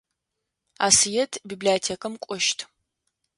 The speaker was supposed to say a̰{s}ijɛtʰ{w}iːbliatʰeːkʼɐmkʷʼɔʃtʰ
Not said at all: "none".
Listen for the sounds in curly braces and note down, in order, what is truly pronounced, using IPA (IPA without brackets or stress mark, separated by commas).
s, b